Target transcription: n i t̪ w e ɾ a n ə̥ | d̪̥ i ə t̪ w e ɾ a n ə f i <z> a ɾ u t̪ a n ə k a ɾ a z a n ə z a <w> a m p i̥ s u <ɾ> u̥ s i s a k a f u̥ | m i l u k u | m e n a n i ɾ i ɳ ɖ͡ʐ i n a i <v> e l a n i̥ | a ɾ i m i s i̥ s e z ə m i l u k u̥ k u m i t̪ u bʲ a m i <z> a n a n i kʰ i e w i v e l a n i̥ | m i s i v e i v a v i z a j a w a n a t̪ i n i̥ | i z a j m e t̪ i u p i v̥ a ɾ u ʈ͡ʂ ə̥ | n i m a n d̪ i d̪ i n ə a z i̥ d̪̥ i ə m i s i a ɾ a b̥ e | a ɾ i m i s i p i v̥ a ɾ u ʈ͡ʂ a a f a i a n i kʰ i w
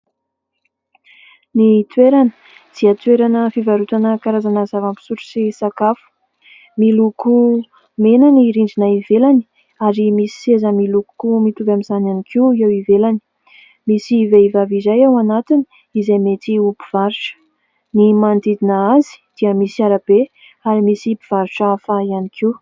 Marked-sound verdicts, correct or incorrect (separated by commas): incorrect, incorrect, correct, correct, correct